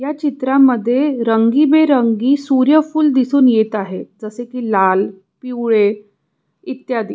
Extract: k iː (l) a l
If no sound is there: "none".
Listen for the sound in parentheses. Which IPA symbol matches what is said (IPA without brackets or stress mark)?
l